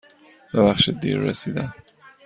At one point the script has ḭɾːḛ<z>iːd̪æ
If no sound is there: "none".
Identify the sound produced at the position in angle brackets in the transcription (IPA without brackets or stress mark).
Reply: s